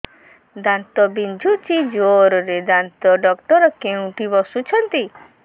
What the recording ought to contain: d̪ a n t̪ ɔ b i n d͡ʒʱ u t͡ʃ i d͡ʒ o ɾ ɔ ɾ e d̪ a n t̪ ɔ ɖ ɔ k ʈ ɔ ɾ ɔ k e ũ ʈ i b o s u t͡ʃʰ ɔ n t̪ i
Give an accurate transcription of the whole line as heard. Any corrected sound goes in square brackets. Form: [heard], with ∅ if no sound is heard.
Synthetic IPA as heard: d̪ a n t̪ ɔ b i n d͡ʒʱ u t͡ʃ i d͡ʒ o ɾ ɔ ɾ e d̪ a n t̪ ɔ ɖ ɔ k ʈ ɔ ɾ ɔ k e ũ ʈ i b [ɔ] s u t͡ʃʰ ɔ n t̪ i

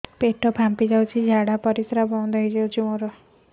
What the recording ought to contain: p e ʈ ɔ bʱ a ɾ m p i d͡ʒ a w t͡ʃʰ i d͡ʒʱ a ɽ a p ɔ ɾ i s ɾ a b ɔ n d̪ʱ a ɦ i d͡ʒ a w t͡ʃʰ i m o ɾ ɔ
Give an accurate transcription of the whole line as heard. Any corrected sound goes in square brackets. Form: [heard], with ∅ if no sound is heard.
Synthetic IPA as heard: p e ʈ ɔ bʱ a [∅] m p i d͡ʒ a w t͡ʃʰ i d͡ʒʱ a ɽ a p ɔ ɾ i s ɾ a b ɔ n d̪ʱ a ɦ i d͡ʒ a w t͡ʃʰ i m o ɾ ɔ

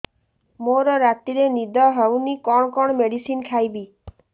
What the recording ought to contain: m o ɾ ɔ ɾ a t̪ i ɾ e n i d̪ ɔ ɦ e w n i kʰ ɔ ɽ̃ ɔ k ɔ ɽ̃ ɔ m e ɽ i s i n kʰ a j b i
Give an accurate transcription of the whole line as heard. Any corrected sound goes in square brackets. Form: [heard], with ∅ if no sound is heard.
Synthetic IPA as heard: m o ɾ ɔ ɾ a t̪ i ɾ e n i d̪ ɔ ɦ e w n i [k] ɔ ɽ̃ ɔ k ɔ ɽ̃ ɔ m e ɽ i s i n kʰ a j b i

